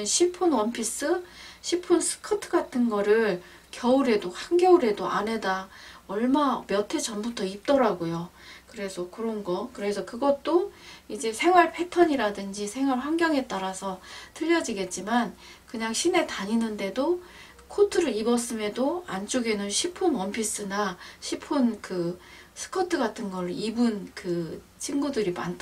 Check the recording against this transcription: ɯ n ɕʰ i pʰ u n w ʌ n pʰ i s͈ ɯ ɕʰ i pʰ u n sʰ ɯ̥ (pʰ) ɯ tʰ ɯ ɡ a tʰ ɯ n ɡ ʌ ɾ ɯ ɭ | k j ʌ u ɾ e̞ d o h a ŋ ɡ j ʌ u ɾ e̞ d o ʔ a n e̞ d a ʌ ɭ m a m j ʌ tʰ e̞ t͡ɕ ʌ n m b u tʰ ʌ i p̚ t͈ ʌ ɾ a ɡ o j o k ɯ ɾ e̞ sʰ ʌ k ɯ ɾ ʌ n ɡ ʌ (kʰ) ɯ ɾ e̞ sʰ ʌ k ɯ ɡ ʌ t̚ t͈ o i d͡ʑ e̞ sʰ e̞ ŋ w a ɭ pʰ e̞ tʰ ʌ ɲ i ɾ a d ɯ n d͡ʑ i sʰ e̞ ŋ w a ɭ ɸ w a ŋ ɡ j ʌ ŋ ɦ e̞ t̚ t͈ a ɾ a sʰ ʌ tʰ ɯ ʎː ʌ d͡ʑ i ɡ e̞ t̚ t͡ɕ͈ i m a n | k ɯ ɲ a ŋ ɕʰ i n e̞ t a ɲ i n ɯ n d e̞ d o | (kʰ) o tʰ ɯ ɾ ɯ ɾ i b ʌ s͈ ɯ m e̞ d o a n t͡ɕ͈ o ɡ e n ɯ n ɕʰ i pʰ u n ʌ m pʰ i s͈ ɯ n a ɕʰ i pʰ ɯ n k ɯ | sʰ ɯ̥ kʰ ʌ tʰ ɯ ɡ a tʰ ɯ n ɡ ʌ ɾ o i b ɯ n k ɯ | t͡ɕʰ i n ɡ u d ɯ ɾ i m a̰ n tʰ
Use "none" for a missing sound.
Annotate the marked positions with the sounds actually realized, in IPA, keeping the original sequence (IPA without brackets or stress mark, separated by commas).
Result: kʰ, k, kʰ